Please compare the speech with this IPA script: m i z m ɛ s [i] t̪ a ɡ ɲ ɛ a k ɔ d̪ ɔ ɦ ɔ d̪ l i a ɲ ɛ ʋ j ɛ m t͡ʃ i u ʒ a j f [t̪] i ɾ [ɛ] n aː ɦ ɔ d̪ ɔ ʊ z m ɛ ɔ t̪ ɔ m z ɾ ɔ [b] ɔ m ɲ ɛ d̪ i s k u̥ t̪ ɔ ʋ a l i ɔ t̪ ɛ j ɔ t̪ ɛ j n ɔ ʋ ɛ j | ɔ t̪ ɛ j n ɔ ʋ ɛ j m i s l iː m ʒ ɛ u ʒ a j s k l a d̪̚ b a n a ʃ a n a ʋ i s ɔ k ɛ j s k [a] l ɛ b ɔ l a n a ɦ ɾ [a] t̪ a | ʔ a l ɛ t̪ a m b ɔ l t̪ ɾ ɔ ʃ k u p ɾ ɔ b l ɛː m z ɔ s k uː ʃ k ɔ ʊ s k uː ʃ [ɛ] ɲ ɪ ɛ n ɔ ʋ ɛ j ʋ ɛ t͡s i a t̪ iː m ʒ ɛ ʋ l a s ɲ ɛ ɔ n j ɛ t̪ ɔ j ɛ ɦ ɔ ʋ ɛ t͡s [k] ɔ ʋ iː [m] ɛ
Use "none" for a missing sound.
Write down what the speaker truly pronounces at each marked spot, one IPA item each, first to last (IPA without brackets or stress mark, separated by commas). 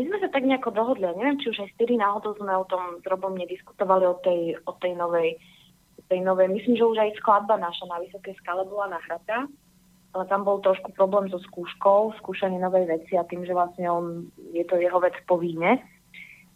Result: a, t̪, i, b, a, a, a, p, ɲ